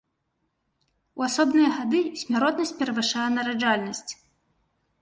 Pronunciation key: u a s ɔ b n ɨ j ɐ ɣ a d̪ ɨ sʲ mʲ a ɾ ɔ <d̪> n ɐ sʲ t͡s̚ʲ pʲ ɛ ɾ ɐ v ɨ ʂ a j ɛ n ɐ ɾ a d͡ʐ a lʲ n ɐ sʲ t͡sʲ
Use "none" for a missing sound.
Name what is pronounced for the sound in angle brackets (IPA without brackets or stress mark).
t̪